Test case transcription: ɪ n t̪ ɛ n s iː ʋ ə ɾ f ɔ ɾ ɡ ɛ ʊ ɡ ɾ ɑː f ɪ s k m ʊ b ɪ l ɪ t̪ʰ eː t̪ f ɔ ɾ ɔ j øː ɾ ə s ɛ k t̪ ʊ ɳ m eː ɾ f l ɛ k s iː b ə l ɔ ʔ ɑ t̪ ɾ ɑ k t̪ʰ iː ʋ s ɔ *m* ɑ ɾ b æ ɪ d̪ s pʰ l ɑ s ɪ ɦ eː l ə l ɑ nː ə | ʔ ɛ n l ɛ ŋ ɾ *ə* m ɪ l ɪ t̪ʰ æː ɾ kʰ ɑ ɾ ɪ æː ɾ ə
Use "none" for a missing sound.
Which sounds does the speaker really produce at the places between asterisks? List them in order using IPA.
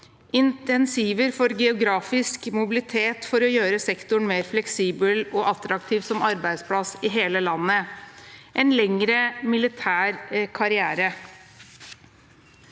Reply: m, ə

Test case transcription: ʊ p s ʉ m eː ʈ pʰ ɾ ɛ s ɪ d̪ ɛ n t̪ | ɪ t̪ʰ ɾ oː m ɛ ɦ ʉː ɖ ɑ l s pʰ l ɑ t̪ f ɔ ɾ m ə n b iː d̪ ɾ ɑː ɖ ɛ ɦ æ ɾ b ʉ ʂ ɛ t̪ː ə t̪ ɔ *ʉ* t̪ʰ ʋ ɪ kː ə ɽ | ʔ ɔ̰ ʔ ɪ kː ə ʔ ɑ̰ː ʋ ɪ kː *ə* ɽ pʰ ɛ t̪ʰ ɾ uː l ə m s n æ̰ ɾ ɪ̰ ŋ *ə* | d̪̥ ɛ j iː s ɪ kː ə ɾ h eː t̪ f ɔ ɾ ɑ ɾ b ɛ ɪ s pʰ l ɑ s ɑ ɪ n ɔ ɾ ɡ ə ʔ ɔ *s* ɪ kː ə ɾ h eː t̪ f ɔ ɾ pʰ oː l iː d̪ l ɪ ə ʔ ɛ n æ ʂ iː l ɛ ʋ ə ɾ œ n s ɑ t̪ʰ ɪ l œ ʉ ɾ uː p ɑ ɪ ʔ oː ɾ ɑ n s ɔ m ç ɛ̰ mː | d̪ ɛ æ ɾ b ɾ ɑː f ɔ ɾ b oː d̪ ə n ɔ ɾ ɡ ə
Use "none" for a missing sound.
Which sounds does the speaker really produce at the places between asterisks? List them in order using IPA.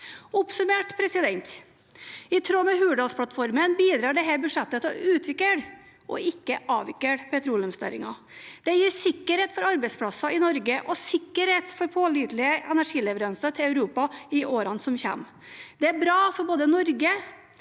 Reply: ʉː, ə, ɑ, s

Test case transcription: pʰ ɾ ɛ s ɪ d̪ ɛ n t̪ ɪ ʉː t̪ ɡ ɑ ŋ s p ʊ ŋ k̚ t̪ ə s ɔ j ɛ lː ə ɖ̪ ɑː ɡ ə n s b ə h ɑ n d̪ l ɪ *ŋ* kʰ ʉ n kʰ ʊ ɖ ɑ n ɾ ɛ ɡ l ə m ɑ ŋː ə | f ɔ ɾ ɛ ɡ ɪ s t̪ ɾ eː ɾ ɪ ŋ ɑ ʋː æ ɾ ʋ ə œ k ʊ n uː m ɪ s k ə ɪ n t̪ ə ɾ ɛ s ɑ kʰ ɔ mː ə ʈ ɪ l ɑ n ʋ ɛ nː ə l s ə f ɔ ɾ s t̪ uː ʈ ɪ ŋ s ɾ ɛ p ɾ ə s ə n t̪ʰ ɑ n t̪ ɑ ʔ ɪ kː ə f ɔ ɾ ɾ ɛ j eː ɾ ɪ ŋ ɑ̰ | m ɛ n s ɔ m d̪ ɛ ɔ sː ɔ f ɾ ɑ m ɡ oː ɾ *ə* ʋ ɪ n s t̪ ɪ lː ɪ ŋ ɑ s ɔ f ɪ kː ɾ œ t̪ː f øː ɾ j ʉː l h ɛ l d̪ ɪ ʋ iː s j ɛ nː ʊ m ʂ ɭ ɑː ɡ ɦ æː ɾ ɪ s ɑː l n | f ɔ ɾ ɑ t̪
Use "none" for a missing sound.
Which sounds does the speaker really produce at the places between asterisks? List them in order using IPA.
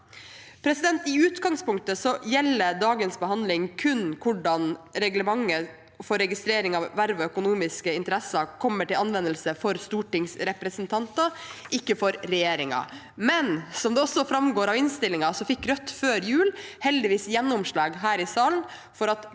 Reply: ŋ, ɑ

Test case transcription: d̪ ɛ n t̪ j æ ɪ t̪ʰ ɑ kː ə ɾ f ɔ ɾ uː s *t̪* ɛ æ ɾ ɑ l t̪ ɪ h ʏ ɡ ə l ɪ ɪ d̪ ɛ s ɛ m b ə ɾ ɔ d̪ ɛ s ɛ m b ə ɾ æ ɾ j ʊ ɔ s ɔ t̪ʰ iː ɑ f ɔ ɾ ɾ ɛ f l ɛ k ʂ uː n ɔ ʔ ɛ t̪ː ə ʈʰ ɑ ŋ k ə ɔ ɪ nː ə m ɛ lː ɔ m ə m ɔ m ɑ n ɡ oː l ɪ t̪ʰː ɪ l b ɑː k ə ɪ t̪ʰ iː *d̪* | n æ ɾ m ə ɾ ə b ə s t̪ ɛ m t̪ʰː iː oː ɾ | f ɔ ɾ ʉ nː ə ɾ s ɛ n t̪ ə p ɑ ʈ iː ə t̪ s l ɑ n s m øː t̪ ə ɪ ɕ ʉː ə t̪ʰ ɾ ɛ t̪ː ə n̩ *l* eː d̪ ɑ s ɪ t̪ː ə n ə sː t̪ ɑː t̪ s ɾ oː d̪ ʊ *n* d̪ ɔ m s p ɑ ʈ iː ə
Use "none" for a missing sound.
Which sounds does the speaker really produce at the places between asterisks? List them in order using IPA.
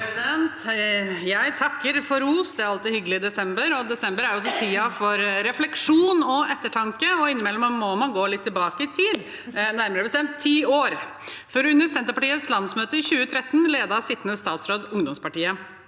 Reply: d̪, d̪, l, ŋ

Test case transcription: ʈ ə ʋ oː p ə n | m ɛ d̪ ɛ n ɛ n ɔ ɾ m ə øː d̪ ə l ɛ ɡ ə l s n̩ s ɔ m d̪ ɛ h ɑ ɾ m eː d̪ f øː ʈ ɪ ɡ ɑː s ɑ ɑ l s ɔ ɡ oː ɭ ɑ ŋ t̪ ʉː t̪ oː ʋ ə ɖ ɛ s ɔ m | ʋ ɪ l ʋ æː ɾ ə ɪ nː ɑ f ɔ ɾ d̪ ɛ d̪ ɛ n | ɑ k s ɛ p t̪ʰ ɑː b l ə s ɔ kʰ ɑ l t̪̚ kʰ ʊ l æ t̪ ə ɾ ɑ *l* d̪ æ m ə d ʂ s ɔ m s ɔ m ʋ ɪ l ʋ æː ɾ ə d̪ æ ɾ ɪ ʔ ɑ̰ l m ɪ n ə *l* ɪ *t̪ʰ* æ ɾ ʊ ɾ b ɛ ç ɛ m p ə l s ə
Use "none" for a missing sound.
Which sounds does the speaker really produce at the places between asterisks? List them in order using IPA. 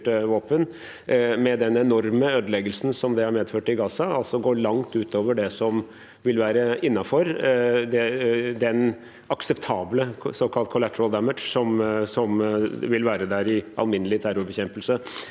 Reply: l, l, t̪ʰ

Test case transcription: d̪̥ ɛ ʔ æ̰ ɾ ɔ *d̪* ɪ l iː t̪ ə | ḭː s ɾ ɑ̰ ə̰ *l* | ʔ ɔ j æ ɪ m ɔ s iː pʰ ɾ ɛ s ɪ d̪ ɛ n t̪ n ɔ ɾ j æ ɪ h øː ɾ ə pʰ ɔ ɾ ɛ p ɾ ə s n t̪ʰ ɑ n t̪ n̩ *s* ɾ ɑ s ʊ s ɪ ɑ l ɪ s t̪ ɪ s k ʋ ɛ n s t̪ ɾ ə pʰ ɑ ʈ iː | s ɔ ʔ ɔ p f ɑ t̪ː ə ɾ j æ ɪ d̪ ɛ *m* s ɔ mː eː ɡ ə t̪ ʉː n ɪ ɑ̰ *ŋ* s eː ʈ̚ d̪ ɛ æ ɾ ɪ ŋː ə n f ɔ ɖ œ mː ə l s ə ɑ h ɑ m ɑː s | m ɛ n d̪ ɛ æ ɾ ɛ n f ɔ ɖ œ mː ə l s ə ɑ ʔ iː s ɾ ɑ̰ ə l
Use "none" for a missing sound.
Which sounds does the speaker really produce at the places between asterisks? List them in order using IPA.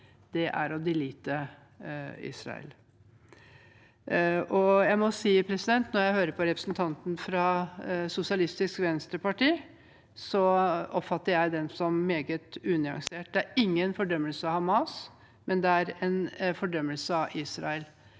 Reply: d̪, l, f, n, ŋ

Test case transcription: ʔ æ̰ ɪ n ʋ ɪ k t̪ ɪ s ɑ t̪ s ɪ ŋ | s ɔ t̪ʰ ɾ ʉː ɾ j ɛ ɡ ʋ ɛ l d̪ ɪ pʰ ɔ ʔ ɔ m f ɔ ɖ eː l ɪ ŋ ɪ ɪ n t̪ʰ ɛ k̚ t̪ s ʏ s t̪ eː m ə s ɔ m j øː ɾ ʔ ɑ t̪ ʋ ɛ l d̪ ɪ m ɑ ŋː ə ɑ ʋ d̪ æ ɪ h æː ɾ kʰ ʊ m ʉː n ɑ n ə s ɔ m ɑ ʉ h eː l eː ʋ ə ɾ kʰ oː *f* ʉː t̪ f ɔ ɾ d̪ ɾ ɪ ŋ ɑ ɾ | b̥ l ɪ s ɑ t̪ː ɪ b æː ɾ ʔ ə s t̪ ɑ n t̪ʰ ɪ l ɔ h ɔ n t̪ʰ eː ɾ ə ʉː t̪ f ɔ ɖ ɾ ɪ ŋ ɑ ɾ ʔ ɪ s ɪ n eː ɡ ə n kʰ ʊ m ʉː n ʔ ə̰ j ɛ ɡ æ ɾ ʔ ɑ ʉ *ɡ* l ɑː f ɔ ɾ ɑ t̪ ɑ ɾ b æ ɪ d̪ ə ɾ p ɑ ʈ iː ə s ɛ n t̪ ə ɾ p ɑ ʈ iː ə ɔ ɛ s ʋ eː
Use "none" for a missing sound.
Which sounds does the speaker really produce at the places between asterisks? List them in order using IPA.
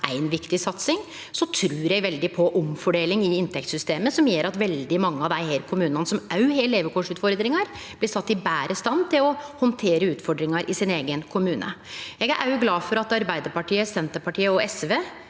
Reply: ʂ, ɡ

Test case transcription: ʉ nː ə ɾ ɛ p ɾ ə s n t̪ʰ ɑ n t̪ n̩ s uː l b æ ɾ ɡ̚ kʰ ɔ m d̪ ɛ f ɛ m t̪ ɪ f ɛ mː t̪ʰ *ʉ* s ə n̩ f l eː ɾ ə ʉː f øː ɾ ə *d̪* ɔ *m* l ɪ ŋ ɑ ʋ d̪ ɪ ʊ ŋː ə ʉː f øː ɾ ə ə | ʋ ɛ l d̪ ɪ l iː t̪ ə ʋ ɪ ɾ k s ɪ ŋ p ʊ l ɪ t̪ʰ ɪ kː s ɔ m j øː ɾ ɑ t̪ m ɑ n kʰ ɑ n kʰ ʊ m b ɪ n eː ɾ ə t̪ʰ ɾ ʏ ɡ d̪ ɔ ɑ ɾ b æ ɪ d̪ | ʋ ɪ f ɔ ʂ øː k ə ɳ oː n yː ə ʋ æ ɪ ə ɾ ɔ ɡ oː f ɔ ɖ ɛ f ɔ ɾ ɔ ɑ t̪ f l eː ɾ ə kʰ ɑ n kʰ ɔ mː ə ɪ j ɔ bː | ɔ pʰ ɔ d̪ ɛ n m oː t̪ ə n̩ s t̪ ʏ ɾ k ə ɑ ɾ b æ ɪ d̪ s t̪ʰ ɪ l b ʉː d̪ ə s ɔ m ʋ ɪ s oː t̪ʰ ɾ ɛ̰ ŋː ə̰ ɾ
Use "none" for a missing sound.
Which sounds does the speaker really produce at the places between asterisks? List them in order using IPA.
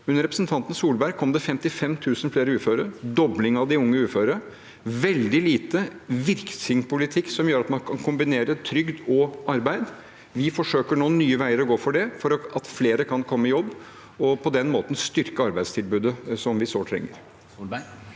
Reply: ʉː, d̪, b

